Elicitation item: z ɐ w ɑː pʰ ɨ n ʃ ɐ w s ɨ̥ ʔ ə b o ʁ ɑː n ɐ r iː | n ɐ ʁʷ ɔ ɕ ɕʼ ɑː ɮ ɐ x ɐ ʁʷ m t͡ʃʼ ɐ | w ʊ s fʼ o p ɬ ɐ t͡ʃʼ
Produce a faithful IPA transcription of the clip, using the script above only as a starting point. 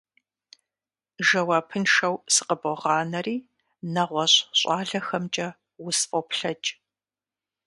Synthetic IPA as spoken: ʒ ɐ w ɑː pʰ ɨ n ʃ ɐ w s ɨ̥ q ə b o ʁ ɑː n ɐ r iː | n ɐ ʁʷ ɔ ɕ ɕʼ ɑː ɮ ɐ x ɐ m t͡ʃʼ ɐ | w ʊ s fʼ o p ɬ ɐ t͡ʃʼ